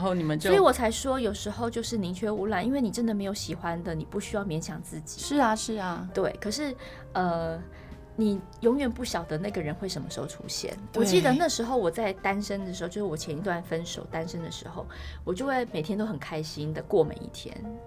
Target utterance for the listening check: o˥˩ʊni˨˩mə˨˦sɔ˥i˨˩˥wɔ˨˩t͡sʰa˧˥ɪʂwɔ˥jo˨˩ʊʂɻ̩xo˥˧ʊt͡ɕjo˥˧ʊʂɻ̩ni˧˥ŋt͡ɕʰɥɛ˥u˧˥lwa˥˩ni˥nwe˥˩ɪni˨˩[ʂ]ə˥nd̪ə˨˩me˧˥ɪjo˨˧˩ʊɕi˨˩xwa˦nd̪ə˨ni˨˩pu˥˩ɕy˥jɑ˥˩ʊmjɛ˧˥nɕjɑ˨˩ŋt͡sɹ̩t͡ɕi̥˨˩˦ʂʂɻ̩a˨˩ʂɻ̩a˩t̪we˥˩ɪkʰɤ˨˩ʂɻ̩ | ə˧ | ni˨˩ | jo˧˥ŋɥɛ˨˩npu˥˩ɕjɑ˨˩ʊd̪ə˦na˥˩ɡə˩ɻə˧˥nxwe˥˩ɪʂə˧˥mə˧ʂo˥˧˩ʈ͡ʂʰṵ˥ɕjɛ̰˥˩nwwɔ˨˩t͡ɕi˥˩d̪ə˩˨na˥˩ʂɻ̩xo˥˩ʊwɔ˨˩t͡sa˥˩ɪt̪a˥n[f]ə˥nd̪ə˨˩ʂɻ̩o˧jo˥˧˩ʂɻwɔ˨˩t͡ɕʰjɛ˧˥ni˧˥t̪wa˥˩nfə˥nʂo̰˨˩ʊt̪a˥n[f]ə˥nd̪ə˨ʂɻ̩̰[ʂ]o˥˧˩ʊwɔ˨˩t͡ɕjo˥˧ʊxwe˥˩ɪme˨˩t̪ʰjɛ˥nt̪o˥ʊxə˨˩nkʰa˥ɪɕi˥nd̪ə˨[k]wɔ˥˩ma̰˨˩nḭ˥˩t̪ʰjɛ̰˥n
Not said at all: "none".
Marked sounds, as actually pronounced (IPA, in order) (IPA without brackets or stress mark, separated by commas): ʈ͡ʂ, ʂ, ʂ, x, k